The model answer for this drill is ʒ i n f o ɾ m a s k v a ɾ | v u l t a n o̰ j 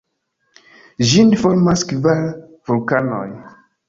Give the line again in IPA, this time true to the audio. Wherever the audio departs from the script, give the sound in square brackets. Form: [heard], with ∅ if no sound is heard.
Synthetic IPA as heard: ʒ i n f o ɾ m a s k v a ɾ | v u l [k] a n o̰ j